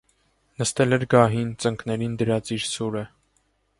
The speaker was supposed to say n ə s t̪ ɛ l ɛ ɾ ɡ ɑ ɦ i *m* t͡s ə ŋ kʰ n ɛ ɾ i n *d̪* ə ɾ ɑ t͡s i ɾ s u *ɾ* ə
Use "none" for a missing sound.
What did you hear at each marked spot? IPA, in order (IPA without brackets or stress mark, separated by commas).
n, d̪, ɾ